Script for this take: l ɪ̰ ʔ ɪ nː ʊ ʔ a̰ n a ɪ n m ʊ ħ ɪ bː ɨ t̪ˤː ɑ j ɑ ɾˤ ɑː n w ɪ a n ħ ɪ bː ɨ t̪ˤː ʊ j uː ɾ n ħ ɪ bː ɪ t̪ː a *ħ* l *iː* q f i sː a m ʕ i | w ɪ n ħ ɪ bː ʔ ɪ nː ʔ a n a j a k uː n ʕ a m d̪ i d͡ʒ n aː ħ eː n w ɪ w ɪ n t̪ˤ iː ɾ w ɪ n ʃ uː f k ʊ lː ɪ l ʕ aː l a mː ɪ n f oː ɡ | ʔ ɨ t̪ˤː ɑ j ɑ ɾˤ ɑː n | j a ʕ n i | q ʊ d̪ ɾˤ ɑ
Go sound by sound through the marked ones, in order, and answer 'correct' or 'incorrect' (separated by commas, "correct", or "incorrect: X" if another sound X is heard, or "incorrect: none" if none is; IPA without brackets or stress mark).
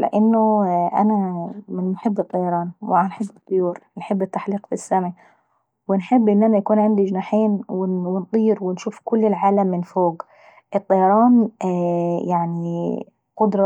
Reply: correct, correct